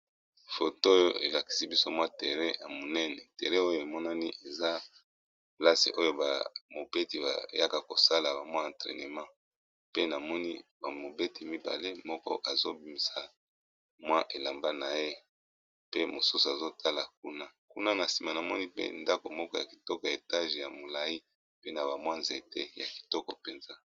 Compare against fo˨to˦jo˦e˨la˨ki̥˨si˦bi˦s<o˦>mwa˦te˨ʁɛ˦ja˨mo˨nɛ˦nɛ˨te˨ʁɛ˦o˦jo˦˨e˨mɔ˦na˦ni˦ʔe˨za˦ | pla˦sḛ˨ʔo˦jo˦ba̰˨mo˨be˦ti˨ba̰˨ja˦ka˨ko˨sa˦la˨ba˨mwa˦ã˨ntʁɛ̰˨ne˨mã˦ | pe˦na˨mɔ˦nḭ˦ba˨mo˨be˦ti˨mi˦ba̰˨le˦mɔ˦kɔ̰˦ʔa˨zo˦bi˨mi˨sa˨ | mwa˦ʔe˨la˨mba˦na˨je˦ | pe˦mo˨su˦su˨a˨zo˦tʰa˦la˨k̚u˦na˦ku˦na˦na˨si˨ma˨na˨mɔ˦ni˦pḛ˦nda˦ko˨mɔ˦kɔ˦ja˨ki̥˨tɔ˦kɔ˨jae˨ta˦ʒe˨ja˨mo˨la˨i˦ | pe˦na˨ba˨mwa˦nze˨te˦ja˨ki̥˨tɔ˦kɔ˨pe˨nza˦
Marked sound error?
no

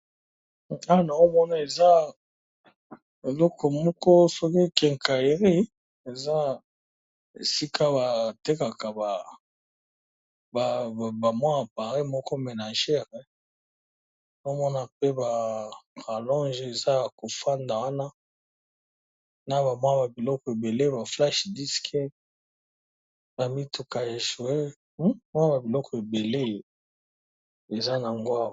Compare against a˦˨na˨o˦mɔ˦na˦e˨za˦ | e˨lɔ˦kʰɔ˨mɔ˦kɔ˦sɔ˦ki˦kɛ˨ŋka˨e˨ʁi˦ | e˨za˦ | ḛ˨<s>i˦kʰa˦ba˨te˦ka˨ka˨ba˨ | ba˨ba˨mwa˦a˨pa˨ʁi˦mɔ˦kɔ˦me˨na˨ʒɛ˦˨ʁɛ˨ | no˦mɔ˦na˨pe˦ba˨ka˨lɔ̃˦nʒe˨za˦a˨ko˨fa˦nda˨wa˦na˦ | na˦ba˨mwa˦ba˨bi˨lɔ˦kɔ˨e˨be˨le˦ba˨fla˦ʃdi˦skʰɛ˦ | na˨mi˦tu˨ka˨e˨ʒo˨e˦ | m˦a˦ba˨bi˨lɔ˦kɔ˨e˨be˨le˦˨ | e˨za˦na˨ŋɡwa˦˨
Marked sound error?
no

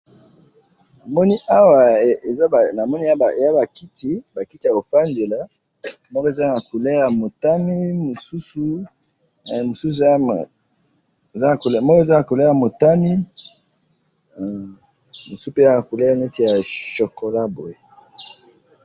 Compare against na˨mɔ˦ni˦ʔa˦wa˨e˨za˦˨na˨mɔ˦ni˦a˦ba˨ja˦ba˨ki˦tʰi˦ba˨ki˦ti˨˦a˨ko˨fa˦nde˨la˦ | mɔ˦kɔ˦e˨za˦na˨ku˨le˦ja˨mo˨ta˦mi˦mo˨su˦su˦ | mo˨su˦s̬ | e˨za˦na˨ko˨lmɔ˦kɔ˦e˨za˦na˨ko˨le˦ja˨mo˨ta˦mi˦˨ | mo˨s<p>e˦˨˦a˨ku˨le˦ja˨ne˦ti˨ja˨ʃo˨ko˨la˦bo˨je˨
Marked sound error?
no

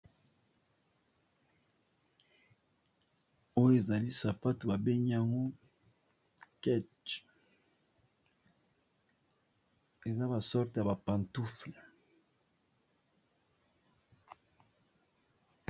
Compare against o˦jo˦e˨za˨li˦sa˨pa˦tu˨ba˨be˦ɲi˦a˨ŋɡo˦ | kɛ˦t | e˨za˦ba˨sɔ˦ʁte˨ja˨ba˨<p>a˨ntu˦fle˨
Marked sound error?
no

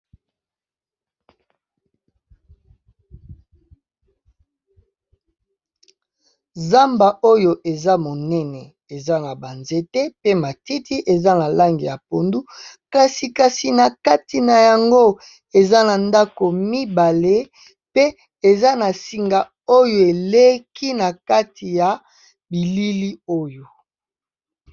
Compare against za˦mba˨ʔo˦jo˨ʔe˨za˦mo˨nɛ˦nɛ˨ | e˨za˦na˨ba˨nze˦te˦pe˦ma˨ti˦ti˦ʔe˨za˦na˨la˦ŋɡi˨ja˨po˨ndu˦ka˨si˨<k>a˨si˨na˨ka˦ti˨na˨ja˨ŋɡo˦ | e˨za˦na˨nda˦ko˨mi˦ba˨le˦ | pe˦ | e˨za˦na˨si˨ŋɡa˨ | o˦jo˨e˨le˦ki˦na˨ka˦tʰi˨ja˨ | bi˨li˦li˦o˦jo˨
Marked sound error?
no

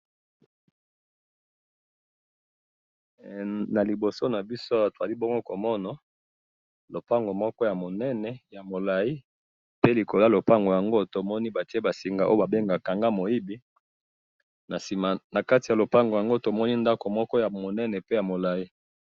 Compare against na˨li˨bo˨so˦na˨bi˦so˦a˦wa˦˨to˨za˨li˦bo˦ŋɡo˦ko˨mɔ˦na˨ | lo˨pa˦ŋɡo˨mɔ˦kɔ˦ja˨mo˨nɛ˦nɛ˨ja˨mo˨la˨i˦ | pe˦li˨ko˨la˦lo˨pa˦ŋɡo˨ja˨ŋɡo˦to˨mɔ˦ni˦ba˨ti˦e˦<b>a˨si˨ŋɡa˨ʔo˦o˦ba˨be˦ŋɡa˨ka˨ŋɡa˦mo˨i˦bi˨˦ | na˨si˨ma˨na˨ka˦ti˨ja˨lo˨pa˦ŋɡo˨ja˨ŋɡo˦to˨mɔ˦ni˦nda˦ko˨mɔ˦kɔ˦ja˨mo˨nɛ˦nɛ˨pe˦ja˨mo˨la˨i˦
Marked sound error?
no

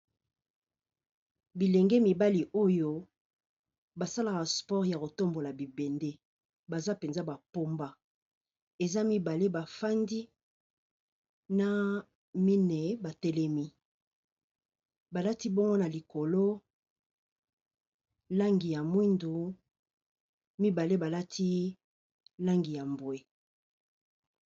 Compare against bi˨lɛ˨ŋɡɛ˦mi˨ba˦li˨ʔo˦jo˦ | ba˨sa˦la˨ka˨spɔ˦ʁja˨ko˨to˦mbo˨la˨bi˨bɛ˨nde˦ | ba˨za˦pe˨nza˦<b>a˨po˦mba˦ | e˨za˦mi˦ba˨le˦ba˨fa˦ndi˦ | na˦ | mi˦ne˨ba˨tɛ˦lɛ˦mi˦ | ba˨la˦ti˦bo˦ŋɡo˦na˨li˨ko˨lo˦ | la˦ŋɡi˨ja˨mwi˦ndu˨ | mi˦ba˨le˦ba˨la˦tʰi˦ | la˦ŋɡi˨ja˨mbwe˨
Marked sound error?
no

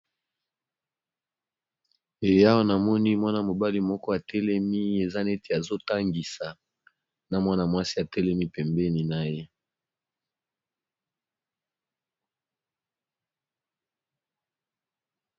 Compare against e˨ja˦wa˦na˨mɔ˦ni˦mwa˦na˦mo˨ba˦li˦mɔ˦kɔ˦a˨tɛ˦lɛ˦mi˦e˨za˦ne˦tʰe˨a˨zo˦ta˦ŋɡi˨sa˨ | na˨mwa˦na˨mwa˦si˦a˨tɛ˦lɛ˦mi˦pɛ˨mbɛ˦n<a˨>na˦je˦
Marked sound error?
yes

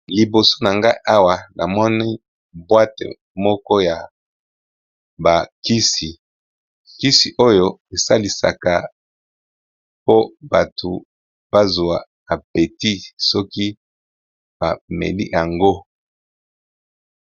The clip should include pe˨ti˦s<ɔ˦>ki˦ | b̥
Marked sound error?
no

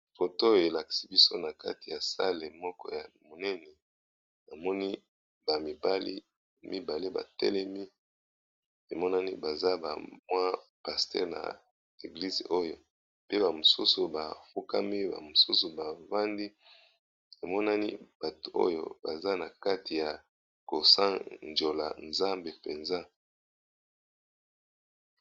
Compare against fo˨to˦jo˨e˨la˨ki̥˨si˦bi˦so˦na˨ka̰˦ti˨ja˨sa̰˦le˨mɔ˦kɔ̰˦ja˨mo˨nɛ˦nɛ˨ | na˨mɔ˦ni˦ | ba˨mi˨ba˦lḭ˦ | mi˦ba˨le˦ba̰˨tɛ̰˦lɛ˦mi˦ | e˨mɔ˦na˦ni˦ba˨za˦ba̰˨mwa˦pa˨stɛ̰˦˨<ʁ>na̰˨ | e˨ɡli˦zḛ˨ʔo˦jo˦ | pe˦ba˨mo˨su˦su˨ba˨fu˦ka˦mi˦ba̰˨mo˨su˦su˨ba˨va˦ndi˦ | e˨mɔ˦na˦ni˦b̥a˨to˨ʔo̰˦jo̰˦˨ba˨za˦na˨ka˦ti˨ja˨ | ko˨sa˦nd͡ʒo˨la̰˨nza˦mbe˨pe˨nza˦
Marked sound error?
no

